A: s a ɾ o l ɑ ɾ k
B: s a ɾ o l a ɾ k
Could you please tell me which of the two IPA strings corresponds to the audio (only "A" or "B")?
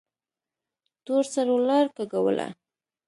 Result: A